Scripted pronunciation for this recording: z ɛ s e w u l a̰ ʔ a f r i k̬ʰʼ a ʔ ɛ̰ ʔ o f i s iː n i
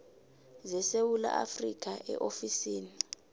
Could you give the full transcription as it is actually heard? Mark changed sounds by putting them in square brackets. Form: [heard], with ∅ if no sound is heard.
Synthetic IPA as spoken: z ɛ s e w u l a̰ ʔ a f r i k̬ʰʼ a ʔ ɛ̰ ʔ o f i s iː n i